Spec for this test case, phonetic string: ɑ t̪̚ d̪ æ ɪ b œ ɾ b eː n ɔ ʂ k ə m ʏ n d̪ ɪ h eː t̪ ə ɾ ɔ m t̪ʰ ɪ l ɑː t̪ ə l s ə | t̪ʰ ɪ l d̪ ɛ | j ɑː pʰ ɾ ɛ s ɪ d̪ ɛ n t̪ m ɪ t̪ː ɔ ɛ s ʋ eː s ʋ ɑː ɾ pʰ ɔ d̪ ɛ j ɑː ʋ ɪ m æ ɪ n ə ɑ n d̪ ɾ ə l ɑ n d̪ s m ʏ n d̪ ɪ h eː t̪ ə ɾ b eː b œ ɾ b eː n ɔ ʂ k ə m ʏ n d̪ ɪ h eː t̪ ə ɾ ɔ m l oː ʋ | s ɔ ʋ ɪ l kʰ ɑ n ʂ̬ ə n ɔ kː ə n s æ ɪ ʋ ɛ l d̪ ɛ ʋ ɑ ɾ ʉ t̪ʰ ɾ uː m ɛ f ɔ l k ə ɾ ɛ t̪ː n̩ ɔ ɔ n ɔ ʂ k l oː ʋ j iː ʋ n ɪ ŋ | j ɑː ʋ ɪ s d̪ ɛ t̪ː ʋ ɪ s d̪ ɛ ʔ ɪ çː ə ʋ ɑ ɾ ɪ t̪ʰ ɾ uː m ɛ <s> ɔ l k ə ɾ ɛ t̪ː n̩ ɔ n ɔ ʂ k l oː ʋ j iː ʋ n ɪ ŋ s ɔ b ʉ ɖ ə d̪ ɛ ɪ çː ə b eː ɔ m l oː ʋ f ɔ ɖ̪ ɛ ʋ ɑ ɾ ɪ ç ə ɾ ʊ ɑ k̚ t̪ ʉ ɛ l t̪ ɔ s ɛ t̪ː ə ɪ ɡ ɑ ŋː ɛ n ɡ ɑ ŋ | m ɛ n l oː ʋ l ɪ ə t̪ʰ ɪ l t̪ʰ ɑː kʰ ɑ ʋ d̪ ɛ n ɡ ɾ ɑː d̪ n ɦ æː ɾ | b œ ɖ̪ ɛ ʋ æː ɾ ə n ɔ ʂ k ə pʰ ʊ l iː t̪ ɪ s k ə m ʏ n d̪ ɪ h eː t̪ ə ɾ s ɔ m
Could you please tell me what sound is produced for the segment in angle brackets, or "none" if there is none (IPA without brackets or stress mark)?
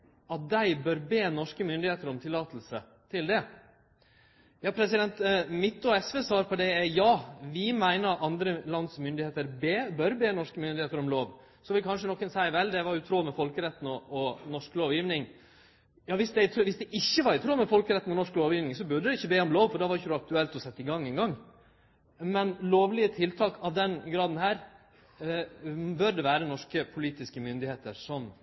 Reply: f